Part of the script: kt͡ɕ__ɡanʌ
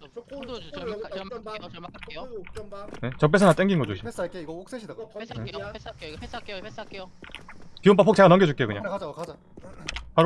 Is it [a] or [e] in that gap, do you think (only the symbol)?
e